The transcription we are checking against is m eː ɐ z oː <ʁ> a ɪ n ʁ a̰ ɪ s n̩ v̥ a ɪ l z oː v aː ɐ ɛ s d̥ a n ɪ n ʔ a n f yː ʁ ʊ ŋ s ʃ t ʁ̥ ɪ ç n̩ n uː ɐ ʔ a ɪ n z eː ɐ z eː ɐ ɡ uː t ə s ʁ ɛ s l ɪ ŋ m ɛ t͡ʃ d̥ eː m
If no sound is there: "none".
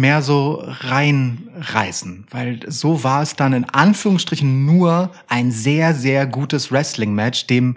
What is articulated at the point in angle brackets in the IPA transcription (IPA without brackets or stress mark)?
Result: ʁ